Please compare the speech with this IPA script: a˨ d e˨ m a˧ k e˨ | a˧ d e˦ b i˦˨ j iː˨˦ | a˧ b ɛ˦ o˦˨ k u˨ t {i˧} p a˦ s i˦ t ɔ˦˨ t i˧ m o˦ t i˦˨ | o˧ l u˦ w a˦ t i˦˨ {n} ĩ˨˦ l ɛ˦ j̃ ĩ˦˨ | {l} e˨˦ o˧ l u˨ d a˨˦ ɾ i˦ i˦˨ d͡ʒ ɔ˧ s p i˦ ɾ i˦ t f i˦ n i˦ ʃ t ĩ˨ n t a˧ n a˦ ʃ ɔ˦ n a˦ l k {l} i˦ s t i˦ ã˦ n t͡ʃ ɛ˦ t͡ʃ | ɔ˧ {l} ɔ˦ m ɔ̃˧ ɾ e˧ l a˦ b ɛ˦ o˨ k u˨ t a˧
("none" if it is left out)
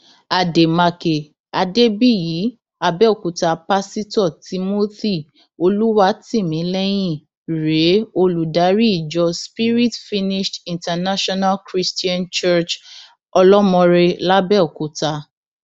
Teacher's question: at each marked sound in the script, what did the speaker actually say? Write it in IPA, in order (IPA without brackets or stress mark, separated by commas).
a˧, m, ɾ, ɾ, l